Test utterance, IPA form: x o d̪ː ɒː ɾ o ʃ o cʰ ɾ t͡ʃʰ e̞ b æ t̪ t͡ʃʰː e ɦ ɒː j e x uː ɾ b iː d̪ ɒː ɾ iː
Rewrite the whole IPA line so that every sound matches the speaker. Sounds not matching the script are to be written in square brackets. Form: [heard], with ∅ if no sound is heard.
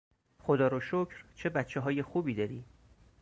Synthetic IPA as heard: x o [d̪] ɒː ɾ o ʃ o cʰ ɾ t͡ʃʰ e̞ b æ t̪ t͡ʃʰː e ɦ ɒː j e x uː [∅] b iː d̪ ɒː ɾ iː